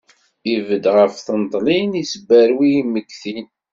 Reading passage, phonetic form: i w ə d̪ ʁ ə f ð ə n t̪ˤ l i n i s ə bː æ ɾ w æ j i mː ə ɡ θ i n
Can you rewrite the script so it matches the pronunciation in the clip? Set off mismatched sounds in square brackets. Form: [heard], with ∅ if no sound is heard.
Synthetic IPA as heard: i [v] ə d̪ ʁ ə f [θ] ə n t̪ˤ l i n i s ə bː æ ɾ w [i] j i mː ə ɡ θ i n